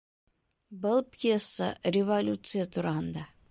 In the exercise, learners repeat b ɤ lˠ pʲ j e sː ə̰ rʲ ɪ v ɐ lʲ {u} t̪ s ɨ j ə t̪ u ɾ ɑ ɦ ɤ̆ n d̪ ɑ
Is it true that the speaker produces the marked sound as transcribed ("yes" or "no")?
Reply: yes